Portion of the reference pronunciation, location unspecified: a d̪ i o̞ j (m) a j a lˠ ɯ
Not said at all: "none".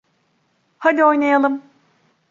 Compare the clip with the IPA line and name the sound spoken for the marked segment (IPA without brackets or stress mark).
n